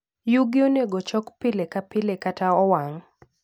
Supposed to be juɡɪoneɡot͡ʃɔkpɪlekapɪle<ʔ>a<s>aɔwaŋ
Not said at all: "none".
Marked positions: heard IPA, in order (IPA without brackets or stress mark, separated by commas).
k, t